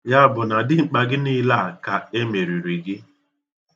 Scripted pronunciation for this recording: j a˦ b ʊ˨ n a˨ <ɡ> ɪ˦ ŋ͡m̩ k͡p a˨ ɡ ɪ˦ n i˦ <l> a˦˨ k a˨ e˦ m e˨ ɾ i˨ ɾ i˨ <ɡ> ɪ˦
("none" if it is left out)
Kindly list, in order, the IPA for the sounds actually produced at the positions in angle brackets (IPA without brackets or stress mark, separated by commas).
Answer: d, l, ɡ